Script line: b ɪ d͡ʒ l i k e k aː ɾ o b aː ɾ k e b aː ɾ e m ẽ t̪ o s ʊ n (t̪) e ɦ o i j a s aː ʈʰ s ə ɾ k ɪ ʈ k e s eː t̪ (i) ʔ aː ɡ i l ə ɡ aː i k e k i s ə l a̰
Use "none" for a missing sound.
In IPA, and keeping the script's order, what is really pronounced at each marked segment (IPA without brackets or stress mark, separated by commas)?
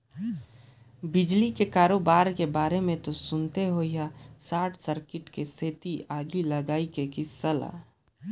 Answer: t̪, i